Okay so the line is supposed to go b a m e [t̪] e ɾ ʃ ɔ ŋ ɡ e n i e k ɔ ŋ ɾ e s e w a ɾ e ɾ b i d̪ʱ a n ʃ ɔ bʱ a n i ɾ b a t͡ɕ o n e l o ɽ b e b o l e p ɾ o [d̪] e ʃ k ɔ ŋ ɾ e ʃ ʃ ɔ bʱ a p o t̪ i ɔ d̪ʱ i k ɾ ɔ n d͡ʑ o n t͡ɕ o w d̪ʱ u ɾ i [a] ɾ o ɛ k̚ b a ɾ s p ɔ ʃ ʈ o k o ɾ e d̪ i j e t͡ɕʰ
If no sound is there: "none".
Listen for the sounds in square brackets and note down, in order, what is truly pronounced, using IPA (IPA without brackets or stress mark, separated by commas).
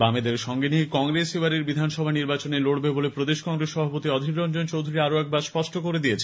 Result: d̪, d̪, a